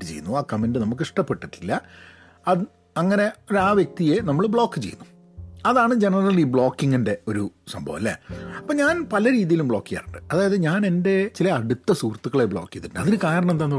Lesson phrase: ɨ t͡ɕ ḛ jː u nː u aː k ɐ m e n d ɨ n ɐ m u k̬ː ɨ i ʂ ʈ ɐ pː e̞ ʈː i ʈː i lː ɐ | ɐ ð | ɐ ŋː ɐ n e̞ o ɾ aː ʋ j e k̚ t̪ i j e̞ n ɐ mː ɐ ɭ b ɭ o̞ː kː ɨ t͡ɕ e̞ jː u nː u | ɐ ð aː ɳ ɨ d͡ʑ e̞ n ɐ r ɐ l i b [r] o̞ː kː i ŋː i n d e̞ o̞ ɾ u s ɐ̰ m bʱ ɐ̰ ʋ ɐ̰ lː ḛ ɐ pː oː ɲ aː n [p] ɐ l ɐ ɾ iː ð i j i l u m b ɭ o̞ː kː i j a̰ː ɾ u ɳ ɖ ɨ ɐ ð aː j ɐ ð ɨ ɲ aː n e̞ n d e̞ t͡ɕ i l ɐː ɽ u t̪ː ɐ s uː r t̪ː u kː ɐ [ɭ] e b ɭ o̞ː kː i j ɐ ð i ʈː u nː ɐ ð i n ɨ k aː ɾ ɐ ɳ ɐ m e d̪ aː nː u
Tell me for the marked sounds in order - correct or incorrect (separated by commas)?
incorrect, correct, correct